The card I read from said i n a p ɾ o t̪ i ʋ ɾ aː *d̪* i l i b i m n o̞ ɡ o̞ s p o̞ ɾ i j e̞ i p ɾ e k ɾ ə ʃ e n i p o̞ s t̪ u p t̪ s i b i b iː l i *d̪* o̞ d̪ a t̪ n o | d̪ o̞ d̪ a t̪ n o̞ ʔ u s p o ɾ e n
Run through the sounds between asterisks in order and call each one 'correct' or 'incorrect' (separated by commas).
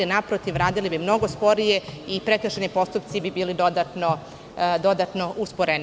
correct, correct